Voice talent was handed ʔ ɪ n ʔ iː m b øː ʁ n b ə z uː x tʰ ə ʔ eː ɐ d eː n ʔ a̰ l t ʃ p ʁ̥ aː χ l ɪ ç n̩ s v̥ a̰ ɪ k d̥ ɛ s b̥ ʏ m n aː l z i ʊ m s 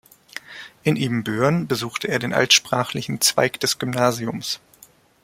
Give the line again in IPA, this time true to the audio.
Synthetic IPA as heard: ʔ ɪ n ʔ iː m b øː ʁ n b ə z uː x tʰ ə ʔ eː ɐ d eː n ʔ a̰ l t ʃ p ʁ̥ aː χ l ɪ ç n̩ t͡s v̥ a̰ ɪ k d̥ ɛ s ɡ̥ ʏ m n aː z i ʊ m s